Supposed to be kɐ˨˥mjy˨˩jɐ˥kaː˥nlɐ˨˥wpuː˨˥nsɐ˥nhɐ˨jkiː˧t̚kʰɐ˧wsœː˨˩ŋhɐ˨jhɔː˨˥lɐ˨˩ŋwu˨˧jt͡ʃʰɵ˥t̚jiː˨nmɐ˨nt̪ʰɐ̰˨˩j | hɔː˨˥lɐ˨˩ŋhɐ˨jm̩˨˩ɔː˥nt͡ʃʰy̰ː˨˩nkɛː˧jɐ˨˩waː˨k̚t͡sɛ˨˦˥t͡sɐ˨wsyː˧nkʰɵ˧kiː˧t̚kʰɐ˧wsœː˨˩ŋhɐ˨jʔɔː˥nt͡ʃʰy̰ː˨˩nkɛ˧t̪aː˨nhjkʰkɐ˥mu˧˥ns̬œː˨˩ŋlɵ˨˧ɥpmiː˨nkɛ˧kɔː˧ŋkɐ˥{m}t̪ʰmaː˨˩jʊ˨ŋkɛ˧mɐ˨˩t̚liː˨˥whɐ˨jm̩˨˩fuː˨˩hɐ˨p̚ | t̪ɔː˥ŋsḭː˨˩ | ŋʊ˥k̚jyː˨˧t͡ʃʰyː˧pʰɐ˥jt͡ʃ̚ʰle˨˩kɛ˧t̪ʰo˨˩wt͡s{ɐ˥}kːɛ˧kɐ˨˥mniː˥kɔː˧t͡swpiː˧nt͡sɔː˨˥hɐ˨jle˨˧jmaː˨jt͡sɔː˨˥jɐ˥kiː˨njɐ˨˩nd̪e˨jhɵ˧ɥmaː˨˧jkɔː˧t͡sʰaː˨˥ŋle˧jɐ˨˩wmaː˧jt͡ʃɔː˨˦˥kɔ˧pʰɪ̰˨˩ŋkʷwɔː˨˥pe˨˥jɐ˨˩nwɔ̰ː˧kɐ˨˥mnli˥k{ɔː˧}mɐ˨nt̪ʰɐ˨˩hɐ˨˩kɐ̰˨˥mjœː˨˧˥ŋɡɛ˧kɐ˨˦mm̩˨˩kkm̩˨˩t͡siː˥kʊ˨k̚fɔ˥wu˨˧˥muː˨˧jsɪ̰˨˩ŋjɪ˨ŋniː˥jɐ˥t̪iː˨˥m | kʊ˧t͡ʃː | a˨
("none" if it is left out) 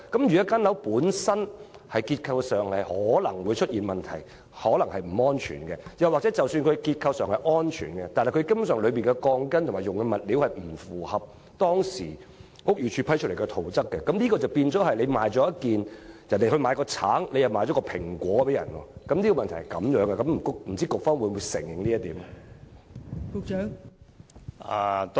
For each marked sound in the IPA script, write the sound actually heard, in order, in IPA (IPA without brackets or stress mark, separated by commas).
n, ɐ˥, ɔ˧